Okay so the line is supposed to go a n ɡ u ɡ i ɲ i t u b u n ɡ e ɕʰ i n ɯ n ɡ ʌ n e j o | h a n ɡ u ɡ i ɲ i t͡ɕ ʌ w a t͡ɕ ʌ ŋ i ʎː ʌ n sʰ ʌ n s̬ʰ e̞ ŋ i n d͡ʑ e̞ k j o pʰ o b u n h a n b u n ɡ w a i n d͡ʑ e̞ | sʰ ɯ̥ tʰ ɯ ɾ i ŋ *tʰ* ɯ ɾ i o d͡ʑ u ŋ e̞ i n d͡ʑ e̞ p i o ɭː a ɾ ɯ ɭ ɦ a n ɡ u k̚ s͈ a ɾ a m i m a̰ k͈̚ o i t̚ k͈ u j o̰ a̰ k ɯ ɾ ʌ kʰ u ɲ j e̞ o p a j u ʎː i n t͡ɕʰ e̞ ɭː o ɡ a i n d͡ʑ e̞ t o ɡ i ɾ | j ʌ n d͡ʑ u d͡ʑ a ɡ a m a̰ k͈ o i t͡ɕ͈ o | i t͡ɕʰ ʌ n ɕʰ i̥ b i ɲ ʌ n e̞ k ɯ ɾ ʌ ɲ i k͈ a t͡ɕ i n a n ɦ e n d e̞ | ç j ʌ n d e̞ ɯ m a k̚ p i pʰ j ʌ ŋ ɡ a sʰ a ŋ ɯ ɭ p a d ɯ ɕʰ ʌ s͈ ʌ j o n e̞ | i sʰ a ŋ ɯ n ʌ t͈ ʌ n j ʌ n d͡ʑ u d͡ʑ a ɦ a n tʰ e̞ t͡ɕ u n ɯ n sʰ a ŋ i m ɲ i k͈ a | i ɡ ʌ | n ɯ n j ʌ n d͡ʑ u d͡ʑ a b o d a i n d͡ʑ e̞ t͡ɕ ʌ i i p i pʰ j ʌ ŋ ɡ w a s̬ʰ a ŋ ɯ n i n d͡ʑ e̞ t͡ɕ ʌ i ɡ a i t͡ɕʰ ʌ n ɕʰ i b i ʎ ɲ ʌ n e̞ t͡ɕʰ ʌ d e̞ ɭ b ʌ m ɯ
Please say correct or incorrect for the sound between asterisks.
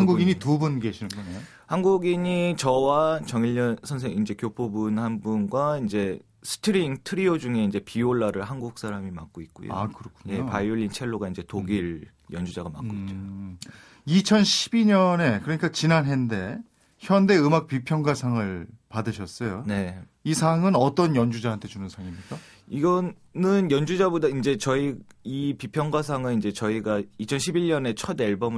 correct